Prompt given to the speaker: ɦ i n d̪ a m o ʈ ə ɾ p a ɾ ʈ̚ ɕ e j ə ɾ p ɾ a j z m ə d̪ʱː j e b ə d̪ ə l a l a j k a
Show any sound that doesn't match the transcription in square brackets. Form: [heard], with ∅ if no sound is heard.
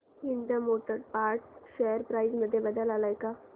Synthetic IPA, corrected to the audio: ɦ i n d̪ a m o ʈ ə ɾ p a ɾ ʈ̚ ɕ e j ə ɾ p ɾ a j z m ə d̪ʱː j e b ə d̪ ə l a l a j k a